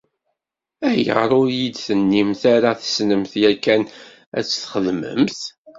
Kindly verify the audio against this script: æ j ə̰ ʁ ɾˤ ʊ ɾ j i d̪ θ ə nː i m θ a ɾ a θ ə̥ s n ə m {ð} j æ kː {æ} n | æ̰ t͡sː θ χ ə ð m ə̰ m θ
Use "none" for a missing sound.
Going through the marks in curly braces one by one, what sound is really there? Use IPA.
θ, æ

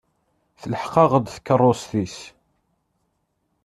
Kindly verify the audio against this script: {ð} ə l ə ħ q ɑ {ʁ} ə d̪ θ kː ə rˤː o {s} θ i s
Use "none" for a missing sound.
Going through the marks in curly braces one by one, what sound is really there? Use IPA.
θ, ʁ, s

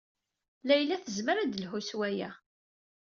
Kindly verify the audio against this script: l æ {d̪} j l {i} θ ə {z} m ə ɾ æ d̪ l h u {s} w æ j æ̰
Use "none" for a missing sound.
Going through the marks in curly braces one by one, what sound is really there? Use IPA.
none, æ, z, s

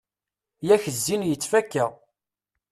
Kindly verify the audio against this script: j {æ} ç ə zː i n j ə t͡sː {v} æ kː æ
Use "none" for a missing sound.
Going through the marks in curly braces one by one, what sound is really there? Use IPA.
æ, f

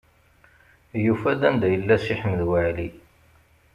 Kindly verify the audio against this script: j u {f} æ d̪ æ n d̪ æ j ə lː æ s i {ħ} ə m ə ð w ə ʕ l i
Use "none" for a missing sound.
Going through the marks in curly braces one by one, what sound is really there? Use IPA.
f, ħ

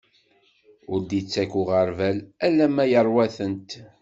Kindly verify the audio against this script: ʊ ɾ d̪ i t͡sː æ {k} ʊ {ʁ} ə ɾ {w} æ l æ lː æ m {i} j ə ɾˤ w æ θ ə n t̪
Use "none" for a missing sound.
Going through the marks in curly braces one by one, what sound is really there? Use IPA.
k, ʁ, v, æ

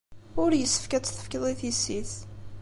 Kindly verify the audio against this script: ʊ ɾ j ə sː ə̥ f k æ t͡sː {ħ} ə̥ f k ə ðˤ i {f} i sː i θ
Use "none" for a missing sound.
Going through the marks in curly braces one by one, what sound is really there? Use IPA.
θ, θ

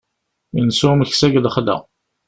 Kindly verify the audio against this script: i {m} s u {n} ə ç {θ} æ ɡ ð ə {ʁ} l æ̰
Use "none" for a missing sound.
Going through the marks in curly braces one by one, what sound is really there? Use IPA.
n, m, s, χ

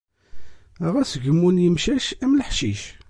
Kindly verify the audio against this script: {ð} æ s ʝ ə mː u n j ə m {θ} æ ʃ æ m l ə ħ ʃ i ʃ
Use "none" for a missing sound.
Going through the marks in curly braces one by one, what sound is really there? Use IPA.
ʁ, ʃ

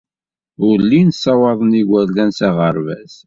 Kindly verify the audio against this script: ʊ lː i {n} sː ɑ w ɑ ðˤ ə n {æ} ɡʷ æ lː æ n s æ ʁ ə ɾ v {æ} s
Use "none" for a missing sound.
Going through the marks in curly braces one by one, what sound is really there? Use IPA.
n, i, æ

